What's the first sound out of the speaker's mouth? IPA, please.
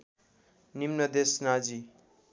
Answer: n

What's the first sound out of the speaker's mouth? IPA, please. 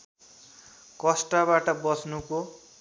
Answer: k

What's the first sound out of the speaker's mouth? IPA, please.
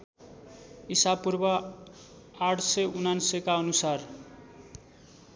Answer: i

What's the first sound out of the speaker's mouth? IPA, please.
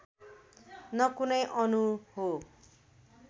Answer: n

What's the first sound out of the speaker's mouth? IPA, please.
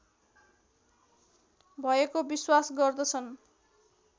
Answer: bʱ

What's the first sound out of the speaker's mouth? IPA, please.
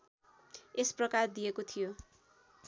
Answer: e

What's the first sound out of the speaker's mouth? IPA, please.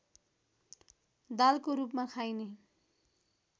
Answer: d̪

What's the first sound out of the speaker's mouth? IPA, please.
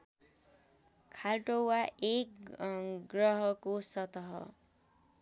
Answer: kʰ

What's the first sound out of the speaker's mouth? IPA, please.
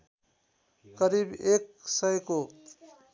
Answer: k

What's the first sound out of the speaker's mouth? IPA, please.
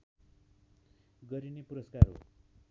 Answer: ɡ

